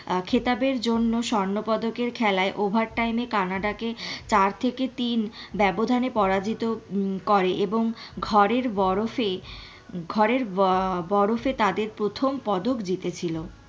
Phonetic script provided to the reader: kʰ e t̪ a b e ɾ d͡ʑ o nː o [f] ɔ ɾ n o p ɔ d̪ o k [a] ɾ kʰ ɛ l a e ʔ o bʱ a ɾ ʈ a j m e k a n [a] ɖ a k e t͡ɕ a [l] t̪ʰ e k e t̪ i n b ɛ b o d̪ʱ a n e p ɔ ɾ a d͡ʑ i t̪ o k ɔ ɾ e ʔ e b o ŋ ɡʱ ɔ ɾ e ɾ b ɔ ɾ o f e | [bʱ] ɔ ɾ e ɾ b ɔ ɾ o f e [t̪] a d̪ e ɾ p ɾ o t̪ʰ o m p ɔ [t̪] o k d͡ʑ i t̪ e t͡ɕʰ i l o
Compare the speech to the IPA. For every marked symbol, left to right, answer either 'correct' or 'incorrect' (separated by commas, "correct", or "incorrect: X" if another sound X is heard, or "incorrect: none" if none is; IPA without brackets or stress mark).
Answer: incorrect: ʃ, incorrect: e, correct, incorrect: ɾ, incorrect: ɡʱ, correct, incorrect: d̪